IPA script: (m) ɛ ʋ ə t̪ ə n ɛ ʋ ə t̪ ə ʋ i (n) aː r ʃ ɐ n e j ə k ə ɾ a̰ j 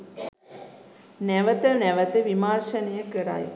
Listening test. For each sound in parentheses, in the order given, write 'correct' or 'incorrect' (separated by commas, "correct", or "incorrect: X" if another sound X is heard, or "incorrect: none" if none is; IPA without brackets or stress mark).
incorrect: n, incorrect: m